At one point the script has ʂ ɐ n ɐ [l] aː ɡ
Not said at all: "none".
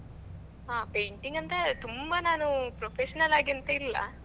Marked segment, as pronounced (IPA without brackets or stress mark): l